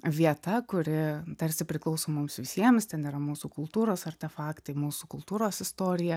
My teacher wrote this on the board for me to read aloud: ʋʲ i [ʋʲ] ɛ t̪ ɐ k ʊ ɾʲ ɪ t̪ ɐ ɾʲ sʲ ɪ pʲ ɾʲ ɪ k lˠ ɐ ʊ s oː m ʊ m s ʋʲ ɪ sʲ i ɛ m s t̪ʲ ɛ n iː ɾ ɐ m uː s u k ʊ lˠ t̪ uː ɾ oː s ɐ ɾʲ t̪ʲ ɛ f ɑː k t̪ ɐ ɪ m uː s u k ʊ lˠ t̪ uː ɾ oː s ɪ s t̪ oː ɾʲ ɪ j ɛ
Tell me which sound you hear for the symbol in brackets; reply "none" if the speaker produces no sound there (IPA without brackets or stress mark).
none